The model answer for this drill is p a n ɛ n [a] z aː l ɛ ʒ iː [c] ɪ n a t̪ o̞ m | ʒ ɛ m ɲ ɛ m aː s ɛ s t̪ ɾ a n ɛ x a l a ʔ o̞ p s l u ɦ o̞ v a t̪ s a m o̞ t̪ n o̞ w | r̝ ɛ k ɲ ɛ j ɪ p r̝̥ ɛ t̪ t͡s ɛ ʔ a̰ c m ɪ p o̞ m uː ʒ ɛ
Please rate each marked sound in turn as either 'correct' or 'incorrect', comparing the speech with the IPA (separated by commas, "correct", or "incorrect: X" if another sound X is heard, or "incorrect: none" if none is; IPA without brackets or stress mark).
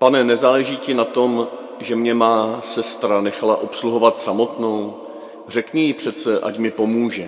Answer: incorrect: ɛ, correct